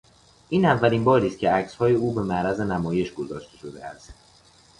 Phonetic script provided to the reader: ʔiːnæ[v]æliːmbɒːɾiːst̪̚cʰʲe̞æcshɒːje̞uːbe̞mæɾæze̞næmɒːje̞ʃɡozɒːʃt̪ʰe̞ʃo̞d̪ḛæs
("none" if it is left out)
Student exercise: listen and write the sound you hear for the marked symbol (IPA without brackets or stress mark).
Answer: vː